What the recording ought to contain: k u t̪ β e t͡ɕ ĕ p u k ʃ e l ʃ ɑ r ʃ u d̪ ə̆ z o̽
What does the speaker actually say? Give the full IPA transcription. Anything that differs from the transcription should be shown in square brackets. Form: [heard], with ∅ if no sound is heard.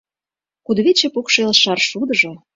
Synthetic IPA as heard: k u [d̪] β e t͡ɕ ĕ p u k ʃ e l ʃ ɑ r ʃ u d̪ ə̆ [ʒ] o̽